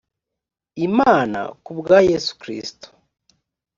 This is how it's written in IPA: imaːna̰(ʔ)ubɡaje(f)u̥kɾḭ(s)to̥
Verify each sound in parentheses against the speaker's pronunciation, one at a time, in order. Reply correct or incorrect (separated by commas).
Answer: incorrect, incorrect, correct